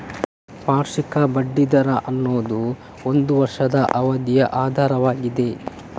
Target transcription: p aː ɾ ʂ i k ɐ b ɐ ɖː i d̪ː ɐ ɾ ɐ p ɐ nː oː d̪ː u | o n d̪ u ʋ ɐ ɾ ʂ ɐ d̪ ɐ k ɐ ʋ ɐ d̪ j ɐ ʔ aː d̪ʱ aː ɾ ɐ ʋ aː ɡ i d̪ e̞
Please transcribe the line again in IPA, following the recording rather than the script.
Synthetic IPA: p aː ɾ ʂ i k ɐ b ɐ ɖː i d̪ ɐ ɾ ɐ ʔ ɐ nː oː d̪ u | o n d̪ u ʋ ɐ ɾ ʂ ɐ d̪ ɐ ʔ ɐ ʋ ɐ d̪ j ɐ ʔ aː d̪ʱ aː ɾ ɐ ʋ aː ɡ i d̪ e̞